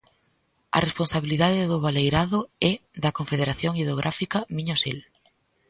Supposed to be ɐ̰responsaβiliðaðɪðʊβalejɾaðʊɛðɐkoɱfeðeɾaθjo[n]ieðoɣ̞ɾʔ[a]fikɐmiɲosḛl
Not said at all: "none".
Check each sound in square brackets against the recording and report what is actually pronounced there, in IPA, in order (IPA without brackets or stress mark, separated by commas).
ŋ, a